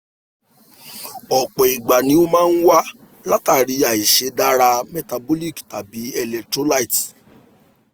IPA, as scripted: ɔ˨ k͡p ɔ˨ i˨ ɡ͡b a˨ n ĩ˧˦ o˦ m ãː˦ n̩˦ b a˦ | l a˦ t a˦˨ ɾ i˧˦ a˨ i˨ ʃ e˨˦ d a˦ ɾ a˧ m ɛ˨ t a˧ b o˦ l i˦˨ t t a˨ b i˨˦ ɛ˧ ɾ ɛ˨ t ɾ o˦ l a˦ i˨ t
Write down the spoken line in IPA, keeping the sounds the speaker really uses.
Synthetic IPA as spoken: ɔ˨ k͡p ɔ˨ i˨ ɡ͡b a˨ n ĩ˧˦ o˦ m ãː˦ n̩˦ w a˦ | l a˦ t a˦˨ ɾ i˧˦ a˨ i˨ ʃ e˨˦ d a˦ ɾ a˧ m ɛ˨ t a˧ b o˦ l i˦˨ k t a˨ b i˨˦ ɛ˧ l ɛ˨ t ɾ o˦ l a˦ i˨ t